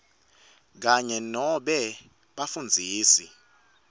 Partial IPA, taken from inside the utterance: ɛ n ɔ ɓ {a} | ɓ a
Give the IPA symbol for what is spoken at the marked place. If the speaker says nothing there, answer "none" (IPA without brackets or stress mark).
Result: ɛ